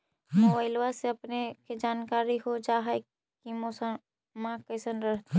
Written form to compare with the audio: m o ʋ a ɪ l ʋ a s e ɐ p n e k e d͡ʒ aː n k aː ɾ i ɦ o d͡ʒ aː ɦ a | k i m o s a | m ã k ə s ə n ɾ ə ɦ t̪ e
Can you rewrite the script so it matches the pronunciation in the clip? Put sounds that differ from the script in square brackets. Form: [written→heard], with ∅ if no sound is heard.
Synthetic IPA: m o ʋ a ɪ l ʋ a s e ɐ p n e k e d͡ʒ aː n k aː ɾ i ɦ o d͡ʒ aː ɦ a | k i m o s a | m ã k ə s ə n ɾ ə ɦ t̪ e